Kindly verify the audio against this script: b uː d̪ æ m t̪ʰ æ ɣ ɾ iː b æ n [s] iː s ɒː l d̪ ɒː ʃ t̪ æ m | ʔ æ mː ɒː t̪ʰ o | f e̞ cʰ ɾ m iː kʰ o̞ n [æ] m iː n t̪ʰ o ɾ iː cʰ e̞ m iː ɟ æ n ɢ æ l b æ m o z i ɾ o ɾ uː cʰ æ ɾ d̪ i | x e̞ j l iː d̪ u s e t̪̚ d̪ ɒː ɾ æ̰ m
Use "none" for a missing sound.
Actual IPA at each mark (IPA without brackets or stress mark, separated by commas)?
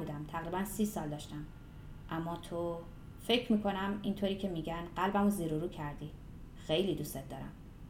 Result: s, æ